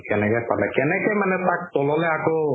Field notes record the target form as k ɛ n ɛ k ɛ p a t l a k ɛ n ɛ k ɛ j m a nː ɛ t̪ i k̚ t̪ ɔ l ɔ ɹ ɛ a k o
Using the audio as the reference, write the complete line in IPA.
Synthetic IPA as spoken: k ɛ n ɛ k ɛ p a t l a k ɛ n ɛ k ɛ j m a n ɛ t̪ a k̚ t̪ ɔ l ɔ l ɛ a k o

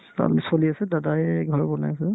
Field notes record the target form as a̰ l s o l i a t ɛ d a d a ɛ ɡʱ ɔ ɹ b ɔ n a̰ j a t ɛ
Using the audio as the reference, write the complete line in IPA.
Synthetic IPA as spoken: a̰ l s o l i a s ɛ d a d a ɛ ɡʱ ɔ ɹ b ɔ n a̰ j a s ɛ

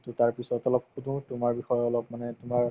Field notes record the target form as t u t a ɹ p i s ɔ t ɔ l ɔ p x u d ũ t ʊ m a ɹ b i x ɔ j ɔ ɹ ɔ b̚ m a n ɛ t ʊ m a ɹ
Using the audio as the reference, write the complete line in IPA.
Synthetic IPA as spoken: t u t a ɹ p i s ɔ t ɔ l ɔ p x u d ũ t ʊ m a ɹ b i x ɔ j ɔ l ɔ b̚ m a n ɛ t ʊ m a ɹ

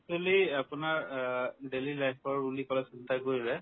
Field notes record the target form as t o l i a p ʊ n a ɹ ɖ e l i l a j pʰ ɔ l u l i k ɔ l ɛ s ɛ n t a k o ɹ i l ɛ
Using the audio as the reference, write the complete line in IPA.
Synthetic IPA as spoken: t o l i a p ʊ n a ɹ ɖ e l i l a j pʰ ɔ ɹ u l i k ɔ l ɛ s i n t a k o ɹ i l ɛ

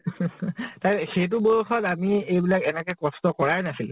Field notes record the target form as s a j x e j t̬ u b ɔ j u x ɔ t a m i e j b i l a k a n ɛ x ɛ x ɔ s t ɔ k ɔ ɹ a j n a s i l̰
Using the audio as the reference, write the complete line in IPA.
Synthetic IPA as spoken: t a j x e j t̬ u b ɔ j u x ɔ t a m i e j b i l a k ɛ n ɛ k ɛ k ɔ s t ɔ k ɔ ɹ a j n a s i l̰

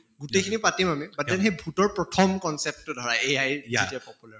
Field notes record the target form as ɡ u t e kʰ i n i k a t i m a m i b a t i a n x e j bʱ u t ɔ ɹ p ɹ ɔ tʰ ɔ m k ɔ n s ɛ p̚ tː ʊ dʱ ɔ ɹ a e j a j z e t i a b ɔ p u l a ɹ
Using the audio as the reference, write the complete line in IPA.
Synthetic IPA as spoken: ɡ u t e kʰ i n i p a t i m a m i b a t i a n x e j bʱ u t ɔ ɹ p ɹ ɔ tʰ ɔ m k ɔ n s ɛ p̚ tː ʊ dʱ ɔ ɹ a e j a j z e t i a p ɔ p u l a ɹ

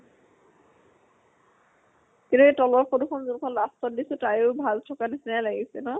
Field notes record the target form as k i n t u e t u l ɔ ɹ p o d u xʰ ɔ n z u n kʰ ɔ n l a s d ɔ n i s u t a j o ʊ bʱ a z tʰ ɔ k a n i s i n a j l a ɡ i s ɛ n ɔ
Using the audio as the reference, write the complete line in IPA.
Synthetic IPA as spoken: k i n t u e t ɔ l ɔ ɹ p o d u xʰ ɔ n z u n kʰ ɔ n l a s t ɔ d i s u t a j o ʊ bʱ a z tʰ ɔ k a n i s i n a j l a ɡ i s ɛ n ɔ

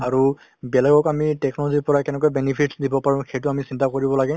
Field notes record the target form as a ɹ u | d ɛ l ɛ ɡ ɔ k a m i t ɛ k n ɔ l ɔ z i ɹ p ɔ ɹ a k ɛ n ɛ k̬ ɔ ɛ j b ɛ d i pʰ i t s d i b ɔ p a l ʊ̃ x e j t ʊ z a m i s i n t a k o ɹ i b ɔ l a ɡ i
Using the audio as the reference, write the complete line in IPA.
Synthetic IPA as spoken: a ɹ u | b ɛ l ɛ ɡ ɔ k a m i t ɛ k n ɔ l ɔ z i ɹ p ɔ ɹ a k ɛ n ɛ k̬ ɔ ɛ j b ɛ n i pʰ i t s d i b ɔ p a ɹ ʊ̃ x e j t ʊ a m i s i n t a k o ɹ i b ɔ l a ɡ ɛ

